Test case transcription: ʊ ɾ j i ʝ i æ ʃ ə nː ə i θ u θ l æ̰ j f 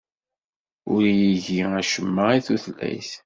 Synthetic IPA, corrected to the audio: ʊ ɾ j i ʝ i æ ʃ ə mː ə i θ u θ l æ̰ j θ